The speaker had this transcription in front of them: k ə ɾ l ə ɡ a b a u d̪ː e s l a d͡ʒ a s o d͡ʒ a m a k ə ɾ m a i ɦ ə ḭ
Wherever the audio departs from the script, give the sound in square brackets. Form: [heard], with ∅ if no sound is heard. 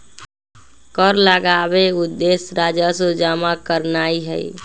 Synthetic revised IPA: k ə ɾ l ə ɡ a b [e] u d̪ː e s [ɾ] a d͡ʒ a s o d͡ʒ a m a k ə ɾ [n] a i ɦ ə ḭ